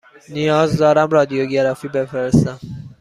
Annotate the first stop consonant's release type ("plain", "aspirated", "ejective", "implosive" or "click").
plain